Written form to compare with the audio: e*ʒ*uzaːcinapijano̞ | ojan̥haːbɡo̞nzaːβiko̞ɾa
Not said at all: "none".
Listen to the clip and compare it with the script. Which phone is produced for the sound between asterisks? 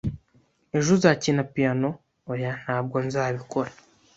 ʒ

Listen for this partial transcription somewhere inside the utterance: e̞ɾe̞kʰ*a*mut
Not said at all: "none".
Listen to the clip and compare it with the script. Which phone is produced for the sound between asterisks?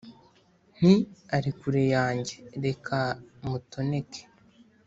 a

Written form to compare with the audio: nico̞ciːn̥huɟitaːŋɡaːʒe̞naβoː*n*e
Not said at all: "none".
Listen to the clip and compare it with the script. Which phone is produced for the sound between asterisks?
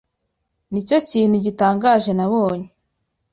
ɲ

